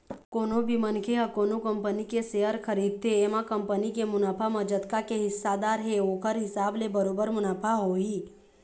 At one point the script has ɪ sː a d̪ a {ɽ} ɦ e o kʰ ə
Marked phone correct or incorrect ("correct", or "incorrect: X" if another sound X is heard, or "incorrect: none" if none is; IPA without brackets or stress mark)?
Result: incorrect: ɾ